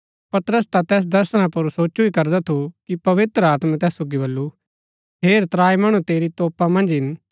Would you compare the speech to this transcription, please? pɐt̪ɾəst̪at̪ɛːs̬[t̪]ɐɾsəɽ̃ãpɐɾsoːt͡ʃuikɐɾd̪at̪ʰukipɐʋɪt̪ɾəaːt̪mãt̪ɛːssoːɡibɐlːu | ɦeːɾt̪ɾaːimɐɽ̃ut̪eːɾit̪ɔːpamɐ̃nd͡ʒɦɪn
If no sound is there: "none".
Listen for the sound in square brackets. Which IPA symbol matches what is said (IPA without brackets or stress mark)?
d̪